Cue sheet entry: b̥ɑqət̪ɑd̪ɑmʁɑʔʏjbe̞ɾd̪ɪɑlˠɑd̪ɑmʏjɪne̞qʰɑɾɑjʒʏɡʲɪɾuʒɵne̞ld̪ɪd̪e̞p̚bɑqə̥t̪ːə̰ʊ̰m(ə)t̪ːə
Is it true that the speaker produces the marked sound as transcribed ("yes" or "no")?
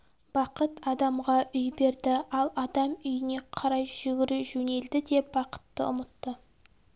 yes